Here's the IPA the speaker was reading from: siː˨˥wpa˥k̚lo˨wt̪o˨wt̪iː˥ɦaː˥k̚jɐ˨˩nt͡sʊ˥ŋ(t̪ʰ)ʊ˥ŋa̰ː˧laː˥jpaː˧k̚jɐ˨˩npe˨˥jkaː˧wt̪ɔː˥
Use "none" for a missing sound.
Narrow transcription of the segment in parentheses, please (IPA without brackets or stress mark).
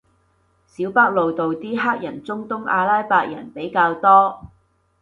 t̪